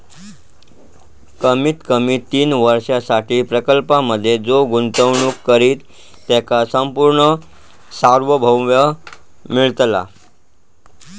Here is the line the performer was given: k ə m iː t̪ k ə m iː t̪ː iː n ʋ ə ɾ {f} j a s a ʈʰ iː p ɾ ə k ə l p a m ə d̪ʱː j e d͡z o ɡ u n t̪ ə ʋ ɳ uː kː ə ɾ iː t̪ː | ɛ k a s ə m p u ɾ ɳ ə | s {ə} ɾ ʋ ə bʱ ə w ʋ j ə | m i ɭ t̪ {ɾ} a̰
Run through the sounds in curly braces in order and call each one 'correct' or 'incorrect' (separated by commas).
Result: incorrect, incorrect, incorrect